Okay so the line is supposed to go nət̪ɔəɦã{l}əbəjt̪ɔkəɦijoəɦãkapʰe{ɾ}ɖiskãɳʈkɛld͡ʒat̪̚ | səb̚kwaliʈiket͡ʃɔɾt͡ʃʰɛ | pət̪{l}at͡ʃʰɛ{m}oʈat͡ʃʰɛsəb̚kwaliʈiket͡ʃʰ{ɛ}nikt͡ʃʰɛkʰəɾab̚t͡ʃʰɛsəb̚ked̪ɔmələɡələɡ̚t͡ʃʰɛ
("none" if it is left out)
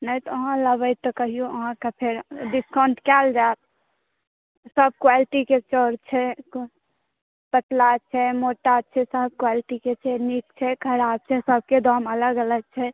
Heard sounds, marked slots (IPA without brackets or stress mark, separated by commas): l, ɾ, l, m, ɛ